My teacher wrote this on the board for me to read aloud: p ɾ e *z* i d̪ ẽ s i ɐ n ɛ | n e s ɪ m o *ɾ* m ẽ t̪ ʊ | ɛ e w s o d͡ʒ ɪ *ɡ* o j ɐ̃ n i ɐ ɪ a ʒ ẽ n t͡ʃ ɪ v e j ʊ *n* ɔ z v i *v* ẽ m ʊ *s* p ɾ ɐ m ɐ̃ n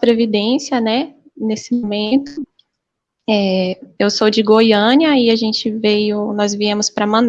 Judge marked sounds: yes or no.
no, no, yes, yes, no, yes

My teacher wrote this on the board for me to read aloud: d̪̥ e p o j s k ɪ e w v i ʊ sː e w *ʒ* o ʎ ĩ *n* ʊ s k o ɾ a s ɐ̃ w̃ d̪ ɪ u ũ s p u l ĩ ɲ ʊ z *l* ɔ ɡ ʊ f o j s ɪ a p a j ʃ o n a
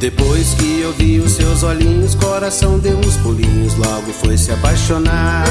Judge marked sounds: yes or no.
no, no, yes

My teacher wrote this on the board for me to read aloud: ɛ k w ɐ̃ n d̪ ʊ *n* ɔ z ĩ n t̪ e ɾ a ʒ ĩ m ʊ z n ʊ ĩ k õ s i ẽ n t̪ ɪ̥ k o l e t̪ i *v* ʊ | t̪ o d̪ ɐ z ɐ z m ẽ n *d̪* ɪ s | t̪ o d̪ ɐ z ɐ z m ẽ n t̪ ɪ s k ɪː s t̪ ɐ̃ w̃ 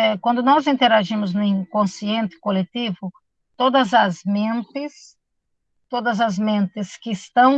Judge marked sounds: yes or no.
yes, yes, no

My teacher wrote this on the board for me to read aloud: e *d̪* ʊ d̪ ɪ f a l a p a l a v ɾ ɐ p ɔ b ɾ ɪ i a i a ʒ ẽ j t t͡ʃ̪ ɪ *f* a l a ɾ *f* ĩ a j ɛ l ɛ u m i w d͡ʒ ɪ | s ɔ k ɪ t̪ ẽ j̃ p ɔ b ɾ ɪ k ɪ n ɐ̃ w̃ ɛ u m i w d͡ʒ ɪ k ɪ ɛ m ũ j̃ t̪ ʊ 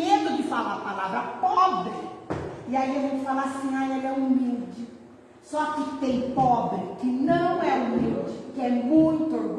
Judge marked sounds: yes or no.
yes, yes, no

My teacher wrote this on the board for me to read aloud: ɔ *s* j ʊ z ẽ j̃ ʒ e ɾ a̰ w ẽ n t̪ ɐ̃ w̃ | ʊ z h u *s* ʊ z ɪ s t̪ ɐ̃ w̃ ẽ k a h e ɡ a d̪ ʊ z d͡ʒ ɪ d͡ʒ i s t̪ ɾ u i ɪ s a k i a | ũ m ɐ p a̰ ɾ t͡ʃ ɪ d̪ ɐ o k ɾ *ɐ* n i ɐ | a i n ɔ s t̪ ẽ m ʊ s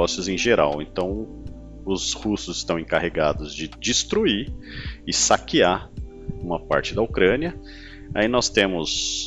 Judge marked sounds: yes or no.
yes, yes, no

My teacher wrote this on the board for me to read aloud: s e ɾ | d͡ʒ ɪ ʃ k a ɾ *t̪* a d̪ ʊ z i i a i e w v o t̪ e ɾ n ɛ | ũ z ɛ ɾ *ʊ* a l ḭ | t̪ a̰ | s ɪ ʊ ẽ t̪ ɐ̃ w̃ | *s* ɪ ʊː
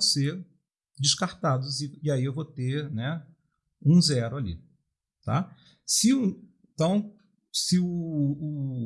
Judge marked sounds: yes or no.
yes, yes, yes

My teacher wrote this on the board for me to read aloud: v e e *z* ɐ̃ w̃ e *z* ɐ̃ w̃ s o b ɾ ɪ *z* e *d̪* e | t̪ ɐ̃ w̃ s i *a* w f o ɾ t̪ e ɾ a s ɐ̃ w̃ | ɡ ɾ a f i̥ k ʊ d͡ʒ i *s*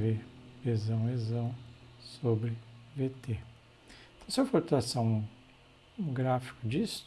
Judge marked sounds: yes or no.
yes, yes, no, no, no, yes

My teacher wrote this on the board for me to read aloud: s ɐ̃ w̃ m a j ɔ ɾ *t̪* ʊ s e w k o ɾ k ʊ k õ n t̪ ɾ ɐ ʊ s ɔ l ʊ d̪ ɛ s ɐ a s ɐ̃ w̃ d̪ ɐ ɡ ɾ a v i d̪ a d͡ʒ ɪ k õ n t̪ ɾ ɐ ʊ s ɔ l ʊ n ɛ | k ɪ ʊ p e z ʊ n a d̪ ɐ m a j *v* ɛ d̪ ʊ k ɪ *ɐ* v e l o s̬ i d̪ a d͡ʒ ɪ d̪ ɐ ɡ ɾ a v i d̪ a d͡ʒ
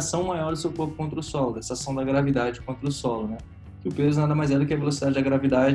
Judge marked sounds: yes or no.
no, no, yes

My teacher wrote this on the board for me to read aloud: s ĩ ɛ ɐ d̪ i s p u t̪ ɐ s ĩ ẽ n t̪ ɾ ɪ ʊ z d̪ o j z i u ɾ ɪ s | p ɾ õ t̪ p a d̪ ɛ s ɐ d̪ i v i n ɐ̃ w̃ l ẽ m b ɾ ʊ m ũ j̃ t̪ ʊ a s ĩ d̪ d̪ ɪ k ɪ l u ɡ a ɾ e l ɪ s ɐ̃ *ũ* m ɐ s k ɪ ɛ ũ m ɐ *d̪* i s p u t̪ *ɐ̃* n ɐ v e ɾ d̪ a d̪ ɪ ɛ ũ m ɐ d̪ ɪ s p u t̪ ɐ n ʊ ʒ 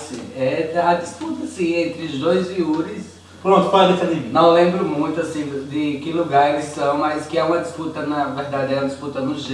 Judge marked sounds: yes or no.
no, yes, no

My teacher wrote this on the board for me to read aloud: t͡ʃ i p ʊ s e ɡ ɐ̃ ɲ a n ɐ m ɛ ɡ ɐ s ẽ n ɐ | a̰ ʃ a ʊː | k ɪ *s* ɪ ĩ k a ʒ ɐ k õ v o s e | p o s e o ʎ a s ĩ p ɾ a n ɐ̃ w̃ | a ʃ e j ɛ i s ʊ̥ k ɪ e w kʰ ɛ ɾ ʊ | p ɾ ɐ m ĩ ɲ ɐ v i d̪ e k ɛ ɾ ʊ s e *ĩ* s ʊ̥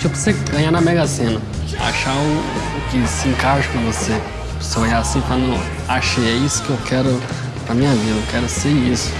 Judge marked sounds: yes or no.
yes, no

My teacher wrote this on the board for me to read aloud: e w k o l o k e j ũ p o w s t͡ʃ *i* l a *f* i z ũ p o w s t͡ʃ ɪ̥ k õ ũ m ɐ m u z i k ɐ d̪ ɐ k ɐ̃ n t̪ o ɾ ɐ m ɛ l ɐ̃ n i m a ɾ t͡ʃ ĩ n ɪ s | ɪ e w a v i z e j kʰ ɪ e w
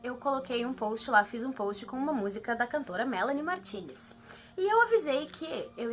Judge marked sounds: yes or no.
no, yes

